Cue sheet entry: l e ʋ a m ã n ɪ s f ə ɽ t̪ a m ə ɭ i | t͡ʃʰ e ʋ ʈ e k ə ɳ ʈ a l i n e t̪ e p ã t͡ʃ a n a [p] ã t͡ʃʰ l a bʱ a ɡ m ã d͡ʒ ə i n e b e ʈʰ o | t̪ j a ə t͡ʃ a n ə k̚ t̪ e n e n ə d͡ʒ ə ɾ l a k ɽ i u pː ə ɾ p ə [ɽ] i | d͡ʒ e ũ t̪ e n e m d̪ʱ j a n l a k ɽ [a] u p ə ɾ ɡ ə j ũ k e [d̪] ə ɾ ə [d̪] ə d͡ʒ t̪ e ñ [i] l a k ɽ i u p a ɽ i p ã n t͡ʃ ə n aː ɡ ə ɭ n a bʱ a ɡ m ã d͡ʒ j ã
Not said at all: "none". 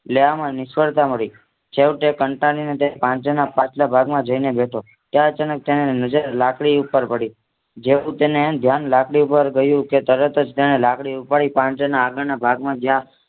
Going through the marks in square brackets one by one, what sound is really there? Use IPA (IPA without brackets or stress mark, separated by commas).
p, ɽ, i, t̪, t̪, e